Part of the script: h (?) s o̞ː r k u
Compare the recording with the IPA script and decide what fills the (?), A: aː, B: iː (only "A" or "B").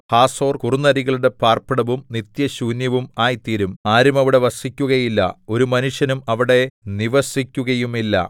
A